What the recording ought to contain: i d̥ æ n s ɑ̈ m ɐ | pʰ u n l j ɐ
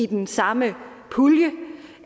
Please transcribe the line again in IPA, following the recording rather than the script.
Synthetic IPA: i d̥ e n s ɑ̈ m ə | pʰ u l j ə